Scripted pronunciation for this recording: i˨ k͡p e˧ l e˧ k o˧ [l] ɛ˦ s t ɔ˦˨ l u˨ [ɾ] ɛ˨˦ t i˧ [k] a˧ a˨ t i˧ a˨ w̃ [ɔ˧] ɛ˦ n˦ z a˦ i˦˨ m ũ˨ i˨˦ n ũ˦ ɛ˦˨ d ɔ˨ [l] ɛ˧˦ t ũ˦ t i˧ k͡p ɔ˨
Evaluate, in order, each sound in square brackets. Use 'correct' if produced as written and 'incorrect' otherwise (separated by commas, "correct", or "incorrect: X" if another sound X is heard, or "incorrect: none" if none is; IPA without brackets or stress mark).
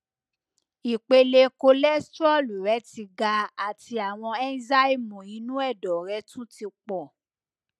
correct, correct, incorrect: ɡ, incorrect: ɔ̃˧, incorrect: ɾ